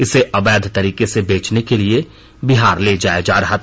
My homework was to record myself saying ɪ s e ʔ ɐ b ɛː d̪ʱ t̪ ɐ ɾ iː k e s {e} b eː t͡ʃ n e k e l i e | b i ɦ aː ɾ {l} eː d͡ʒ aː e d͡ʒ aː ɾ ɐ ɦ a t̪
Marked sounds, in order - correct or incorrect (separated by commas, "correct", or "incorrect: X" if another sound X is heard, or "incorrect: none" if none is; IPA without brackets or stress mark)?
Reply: correct, correct